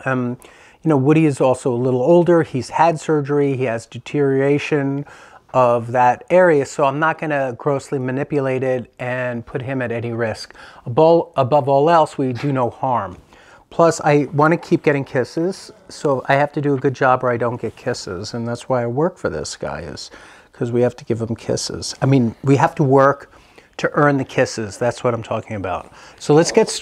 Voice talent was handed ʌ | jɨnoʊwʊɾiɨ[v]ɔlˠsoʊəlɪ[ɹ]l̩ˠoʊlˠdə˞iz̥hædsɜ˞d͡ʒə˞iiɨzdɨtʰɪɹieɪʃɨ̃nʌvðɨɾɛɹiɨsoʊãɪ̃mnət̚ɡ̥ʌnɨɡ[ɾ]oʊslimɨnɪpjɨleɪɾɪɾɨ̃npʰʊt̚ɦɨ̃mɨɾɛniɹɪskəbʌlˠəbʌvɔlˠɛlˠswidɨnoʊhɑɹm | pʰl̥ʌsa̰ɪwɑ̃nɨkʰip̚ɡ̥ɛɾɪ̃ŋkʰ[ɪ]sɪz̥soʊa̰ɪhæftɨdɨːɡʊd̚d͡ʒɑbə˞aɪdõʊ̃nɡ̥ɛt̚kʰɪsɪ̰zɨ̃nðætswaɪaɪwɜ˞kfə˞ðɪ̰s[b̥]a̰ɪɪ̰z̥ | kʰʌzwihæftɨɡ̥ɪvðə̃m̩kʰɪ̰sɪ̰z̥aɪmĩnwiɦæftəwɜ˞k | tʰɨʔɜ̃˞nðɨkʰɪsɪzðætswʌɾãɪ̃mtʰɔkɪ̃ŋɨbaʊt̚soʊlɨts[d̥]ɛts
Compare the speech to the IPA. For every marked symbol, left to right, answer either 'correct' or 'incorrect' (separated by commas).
incorrect, incorrect, incorrect, correct, incorrect, incorrect